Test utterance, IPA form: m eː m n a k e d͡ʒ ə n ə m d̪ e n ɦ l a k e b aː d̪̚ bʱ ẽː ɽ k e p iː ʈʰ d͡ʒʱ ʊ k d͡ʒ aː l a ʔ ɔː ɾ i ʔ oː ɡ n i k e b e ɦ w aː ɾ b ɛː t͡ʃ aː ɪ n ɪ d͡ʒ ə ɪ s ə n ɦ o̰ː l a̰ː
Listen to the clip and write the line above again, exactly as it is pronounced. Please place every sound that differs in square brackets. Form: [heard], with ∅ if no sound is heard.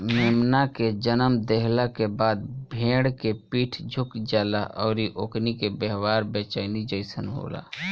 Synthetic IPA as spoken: m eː m n a k e d͡ʒ ə n ə m d̪ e [∅] ɦ l a k e b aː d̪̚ bʱ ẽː ɽ k e p iː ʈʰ d͡ʒʱ ʊ k d͡ʒ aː l a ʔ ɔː ɾ i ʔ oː [k] n i k e b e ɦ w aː ɾ b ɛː t͡ʃ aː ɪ n [i] d͡ʒ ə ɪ s ə n ɦ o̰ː l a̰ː